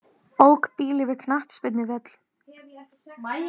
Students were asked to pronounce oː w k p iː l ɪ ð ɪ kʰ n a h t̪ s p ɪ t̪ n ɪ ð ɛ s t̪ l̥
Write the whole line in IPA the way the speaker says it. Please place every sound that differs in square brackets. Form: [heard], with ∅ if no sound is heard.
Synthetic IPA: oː w k p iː l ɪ [v] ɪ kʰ n a h t̪ s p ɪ t̪ n ɪ [v] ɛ [∅] t̪ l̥